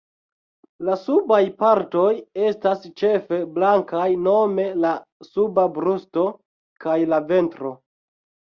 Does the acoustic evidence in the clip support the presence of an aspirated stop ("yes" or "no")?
no